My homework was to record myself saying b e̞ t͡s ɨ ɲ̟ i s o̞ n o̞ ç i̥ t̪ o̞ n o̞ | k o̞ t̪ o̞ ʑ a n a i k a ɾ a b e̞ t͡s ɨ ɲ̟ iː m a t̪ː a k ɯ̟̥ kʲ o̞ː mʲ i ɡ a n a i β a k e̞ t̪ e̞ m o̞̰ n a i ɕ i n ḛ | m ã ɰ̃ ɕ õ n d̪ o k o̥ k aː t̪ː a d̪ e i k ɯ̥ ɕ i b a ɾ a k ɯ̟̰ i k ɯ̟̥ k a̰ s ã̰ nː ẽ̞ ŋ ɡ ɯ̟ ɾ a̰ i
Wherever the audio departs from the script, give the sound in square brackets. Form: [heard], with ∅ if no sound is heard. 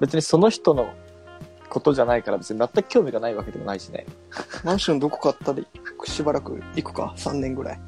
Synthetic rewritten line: b e̞ t͡s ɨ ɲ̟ i s o̞ n o̞ ç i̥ t̪ o̞ n o̞ | k o̞ t̪ o̞ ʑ a n a i k a ɾ a b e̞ t͡s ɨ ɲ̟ [i] m a t̪ː a k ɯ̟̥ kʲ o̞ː mʲ i ɡ a n a i β a k e̞ [d̪] e̞ m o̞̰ n a i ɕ i n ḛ | m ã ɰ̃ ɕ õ n d̪ o k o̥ k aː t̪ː a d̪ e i k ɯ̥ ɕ i b a ɾ a k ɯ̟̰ i k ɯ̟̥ k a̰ s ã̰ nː ẽ̞ ŋ ɡ ɯ̟ ɾ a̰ i